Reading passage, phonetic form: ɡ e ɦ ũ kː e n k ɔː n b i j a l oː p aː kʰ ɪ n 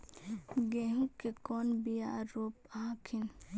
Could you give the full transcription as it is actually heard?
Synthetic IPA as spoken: ɡ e ɦ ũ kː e k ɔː n b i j a ɾ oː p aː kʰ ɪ n